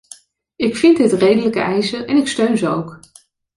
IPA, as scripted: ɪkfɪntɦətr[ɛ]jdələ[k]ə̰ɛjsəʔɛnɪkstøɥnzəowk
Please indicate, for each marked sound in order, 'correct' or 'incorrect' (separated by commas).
incorrect, correct